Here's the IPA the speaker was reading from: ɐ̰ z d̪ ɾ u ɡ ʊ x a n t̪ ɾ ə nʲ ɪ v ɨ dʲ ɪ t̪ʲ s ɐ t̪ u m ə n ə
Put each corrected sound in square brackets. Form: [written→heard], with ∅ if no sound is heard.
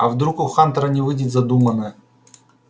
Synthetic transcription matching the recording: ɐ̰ [z→v] d̪ ɾ u [ɡ→k] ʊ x a n t̪ ɾ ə nʲ ɪ v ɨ dʲ ɪ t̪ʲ [s→z] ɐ [t̪→d̪] u m ə n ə